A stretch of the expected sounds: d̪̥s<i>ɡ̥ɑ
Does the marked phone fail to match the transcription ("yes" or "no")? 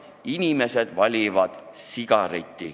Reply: no